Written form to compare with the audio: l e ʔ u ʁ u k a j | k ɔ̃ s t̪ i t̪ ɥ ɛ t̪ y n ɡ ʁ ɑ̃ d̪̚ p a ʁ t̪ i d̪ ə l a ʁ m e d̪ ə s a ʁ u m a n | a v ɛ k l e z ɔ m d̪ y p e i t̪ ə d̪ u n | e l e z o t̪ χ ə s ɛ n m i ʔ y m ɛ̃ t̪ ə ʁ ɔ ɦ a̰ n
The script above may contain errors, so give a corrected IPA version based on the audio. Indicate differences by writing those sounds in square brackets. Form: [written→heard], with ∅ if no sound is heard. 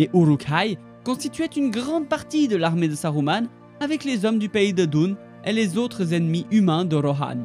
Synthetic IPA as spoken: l e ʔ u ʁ u k a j | k ɔ̃ s t̪ i t̪ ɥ ɛ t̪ y n ɡ ʁ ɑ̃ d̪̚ p a ʁ t̪ i d̪ ə l a ʁ m e d̪ ə s a ʁ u m a n | a v ɛ k l e z ɔ m d̪ y p e i [t̪→d̪] ə d̪ u n | e l e z o t̪ χ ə [s→z] ɛ n m i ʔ y m ɛ̃ [t̪→d̪] ə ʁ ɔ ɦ a̰ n